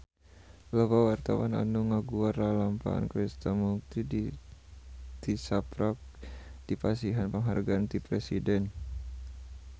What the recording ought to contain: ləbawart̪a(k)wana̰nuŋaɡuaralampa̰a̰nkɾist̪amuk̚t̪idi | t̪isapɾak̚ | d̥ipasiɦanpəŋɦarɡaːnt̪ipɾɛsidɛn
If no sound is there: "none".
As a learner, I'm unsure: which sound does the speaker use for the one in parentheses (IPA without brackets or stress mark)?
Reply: none